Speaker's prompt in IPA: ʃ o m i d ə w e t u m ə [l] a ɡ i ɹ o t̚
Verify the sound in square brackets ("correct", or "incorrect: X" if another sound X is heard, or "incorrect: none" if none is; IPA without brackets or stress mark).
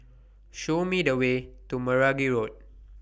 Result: incorrect: ɹ